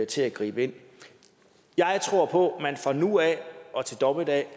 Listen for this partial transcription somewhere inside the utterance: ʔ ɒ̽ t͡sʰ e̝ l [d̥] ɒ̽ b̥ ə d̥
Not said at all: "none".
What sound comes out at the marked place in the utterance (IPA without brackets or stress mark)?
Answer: d̥